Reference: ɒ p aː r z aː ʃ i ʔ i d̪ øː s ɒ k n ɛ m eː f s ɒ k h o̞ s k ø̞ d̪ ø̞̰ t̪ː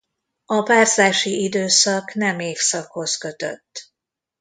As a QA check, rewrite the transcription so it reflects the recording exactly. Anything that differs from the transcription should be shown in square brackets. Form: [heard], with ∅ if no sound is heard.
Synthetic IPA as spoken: ɒ p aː r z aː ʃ i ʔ i d̪ øː s ɒ k n ɛ m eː f s ɒ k h o̞ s k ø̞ [t̪] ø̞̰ t̪ː